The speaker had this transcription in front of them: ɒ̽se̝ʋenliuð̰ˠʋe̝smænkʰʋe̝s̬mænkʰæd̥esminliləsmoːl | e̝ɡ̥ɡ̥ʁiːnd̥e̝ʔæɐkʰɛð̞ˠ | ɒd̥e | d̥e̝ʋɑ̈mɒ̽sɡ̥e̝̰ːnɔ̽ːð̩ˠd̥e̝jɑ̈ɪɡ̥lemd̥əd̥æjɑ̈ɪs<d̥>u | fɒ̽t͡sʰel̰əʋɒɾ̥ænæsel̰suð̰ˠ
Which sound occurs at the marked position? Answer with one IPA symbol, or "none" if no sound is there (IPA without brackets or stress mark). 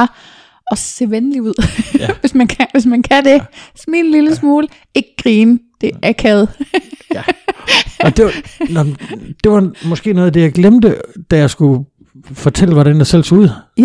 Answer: ɡ̥